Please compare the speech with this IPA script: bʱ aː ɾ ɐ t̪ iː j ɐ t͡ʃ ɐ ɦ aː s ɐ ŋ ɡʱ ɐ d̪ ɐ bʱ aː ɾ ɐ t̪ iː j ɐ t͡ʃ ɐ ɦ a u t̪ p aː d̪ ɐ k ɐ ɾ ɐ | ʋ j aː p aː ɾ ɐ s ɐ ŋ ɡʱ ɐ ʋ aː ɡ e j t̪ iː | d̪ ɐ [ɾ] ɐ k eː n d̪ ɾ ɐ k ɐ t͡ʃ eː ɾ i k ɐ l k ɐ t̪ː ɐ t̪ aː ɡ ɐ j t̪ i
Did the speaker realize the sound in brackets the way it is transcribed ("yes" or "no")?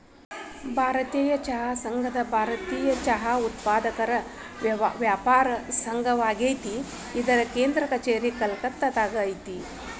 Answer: yes